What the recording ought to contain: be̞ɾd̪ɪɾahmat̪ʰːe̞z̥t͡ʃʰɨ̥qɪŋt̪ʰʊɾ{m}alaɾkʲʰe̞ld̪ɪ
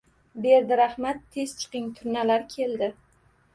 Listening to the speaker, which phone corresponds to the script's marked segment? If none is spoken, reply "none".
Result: n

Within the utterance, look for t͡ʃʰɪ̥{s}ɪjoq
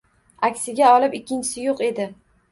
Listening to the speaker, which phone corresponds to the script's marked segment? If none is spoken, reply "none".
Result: s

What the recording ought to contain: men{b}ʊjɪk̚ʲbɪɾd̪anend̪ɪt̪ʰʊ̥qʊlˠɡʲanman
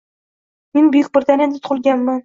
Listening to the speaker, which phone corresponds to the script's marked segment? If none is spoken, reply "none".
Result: b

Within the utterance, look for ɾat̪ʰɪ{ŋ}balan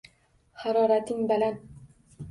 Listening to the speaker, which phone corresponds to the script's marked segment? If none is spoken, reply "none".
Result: ŋ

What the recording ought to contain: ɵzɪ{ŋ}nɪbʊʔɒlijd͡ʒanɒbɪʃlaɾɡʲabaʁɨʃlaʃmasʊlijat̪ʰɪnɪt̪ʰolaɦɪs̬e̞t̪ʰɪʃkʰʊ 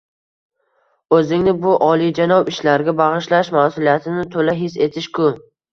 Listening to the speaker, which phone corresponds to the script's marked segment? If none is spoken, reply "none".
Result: ŋ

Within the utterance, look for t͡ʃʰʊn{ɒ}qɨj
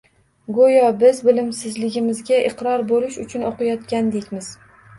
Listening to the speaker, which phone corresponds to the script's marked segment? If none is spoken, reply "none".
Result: o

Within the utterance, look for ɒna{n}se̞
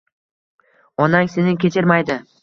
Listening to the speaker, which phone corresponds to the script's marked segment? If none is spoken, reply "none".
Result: ŋ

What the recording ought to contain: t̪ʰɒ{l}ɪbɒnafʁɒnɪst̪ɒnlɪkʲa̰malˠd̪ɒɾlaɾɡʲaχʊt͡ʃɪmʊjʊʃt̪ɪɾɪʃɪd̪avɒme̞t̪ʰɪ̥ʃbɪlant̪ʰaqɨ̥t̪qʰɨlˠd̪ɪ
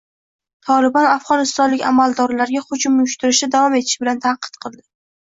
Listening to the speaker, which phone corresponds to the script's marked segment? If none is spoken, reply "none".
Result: l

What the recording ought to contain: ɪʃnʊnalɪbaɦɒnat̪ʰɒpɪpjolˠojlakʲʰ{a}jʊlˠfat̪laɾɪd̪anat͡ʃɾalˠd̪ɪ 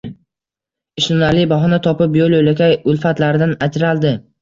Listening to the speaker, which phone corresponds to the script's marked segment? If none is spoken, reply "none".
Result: a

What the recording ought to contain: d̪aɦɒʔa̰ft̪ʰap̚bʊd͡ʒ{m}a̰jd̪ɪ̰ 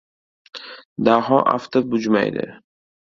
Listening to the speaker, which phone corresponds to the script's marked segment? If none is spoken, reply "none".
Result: m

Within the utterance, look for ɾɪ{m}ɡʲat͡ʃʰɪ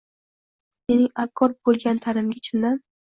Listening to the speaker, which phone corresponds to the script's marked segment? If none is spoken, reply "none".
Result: m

